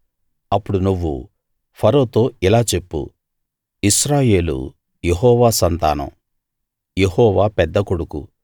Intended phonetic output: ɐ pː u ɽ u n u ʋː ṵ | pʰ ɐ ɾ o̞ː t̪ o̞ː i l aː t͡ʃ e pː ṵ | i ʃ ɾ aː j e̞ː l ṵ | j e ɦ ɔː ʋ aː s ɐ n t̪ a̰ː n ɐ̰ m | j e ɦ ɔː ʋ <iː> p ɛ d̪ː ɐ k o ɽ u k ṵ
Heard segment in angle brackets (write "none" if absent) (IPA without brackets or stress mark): aː